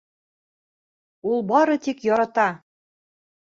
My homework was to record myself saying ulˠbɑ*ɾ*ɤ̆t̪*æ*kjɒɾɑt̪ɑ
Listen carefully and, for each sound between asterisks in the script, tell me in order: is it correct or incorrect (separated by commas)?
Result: correct, incorrect